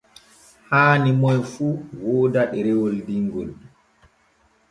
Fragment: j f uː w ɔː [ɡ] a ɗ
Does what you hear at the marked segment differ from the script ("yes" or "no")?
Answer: yes